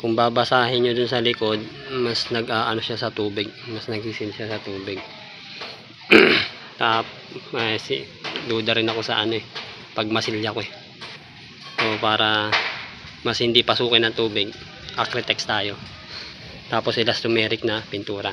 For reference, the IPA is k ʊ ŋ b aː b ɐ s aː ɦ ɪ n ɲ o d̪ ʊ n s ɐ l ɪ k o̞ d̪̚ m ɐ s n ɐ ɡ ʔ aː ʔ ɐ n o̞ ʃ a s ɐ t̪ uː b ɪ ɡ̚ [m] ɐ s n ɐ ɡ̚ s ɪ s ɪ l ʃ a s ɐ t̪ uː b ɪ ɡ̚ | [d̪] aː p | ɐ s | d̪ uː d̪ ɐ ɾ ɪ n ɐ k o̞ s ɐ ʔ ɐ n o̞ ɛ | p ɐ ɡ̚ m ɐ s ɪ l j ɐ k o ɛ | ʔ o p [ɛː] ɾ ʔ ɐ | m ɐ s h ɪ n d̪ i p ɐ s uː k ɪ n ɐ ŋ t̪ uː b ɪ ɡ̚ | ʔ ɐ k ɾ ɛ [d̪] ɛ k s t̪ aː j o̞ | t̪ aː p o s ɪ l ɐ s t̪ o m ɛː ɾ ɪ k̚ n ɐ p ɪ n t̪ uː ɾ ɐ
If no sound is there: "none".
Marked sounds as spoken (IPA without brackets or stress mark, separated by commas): m, t̪, aː, t̪